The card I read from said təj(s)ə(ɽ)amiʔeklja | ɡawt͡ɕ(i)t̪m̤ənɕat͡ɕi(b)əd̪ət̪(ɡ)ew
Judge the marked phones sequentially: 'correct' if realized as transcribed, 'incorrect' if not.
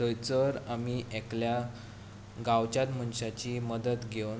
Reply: incorrect, incorrect, incorrect, incorrect, correct

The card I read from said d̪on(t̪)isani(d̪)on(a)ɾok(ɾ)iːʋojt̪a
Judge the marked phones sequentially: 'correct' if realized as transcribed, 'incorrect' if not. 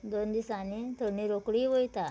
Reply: incorrect, incorrect, incorrect, incorrect

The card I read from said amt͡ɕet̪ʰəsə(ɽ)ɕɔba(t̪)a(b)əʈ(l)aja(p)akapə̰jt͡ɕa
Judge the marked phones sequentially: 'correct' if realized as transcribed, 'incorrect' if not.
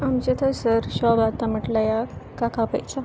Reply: incorrect, correct, incorrect, correct, incorrect

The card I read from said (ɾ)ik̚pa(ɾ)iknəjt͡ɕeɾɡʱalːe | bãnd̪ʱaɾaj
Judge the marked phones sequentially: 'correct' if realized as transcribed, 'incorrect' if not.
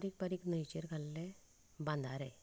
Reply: correct, correct

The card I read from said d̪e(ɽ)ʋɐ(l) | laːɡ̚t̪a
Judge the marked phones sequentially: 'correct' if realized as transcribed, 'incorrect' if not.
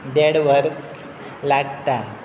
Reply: correct, incorrect

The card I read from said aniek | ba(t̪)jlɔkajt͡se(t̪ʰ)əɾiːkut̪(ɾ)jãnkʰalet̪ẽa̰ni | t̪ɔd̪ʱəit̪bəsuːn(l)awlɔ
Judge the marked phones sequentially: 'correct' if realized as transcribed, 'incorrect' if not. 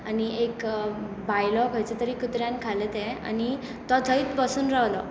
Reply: incorrect, incorrect, correct, incorrect

